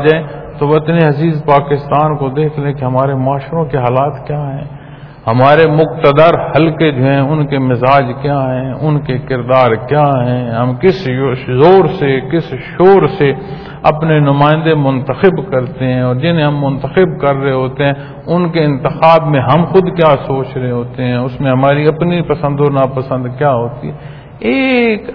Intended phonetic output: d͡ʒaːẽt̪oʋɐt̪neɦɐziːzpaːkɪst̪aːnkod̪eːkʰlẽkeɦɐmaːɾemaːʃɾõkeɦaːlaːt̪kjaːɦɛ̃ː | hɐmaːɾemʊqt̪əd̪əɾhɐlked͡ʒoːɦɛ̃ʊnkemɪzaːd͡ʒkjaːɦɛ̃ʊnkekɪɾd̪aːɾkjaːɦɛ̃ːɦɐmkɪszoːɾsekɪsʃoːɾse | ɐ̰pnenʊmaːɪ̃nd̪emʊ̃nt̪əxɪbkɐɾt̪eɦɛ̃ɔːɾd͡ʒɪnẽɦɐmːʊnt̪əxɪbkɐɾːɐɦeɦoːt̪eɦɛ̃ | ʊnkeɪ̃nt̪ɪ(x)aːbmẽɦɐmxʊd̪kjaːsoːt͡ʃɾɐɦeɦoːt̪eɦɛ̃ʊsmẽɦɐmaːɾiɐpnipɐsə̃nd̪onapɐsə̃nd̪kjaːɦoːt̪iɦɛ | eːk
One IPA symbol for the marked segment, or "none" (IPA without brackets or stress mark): x